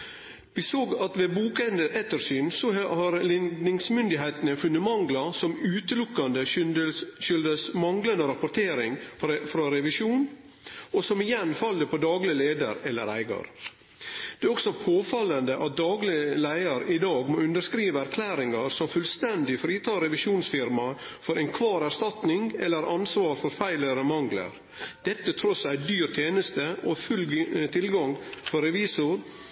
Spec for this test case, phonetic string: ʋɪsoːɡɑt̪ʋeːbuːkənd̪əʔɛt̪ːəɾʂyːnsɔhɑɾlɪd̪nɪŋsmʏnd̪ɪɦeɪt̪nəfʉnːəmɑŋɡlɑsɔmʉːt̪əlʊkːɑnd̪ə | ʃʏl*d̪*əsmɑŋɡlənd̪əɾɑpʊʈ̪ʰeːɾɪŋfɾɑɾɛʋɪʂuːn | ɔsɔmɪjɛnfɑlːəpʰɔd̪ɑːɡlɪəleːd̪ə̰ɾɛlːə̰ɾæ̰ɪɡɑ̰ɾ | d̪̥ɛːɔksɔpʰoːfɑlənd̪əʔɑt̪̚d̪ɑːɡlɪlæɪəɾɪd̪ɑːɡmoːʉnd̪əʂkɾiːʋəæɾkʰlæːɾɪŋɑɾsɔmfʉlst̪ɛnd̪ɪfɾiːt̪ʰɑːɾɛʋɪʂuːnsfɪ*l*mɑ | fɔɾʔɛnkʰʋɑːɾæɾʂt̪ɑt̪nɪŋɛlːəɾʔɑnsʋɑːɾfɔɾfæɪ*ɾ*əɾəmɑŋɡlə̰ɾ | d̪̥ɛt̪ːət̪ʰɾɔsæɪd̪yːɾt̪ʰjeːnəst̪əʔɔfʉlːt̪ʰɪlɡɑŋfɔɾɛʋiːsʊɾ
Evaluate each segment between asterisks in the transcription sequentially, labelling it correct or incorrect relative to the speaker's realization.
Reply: correct, incorrect, incorrect

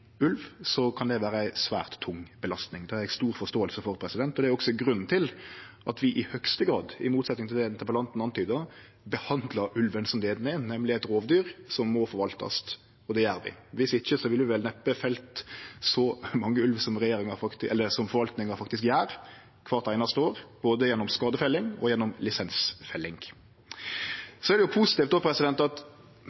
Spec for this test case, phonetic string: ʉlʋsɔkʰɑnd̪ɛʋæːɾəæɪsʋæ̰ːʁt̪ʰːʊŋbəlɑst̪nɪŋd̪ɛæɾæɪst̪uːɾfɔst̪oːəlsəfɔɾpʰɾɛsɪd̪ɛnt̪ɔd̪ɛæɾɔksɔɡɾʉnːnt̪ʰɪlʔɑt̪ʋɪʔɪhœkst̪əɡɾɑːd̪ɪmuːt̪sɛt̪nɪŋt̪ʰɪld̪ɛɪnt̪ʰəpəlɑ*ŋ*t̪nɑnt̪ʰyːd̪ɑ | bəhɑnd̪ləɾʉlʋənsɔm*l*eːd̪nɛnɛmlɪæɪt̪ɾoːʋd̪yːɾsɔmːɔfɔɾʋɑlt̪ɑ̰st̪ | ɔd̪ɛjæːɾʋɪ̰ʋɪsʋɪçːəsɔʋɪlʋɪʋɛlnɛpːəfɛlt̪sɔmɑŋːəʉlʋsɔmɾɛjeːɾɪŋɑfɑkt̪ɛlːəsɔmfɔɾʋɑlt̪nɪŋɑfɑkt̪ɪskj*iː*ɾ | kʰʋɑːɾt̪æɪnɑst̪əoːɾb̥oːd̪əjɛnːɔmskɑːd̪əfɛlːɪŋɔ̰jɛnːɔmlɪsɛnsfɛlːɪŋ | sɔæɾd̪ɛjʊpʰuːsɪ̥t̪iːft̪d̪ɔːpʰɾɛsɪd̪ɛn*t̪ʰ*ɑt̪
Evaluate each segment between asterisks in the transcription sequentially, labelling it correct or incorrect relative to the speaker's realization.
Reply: incorrect, correct, incorrect, incorrect

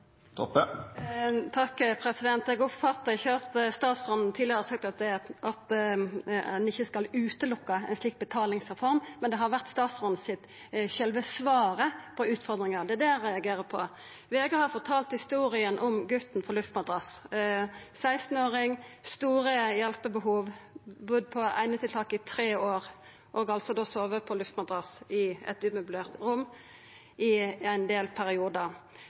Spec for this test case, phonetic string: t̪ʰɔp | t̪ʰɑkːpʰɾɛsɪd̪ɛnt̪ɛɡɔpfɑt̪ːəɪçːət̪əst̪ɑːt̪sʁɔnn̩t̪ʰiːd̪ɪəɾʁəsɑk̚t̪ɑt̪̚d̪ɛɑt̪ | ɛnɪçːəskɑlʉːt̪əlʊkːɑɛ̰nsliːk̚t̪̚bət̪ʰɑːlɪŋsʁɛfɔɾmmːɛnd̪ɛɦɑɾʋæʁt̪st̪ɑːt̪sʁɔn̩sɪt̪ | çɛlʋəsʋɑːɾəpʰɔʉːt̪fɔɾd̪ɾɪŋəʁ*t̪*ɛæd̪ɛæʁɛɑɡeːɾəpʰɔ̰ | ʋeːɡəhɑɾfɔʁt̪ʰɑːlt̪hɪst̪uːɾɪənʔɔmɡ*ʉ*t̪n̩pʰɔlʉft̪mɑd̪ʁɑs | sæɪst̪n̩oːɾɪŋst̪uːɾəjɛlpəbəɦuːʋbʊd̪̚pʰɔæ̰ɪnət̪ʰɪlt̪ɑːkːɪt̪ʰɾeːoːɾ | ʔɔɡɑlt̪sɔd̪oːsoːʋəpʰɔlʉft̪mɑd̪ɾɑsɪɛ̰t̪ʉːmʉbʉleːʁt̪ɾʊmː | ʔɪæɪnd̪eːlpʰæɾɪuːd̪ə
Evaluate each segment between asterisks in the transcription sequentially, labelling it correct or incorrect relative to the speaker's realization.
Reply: incorrect, correct

